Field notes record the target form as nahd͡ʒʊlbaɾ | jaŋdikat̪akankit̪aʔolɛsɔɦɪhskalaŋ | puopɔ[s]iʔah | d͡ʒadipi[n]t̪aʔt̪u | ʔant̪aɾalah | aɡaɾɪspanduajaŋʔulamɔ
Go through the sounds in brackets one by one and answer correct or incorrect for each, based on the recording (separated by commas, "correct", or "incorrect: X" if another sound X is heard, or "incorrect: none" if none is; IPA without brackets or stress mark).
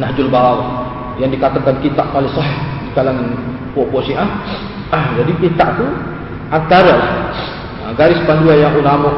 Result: correct, correct